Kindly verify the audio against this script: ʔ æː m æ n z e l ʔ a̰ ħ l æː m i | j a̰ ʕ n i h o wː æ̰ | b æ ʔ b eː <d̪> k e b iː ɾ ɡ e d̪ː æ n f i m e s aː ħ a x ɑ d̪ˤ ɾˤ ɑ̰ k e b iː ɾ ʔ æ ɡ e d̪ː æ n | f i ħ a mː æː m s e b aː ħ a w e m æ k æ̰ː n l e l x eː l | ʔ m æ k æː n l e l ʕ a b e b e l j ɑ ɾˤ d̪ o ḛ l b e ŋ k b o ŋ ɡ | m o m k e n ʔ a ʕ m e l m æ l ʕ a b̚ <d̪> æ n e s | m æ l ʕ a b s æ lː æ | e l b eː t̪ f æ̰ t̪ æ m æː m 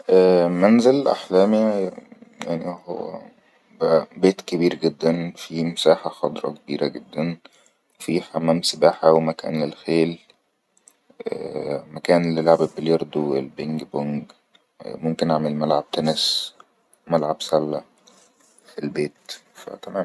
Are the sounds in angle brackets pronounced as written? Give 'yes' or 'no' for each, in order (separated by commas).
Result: no, no